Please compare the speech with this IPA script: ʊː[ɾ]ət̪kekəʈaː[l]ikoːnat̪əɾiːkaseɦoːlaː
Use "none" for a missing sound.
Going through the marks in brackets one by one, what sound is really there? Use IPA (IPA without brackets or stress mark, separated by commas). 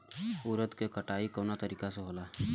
ɾ, none